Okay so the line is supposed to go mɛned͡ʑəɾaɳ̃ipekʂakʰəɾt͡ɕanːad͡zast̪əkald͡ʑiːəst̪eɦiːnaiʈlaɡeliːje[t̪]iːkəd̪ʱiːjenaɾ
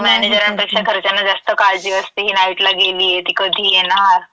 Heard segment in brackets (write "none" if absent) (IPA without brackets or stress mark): t̪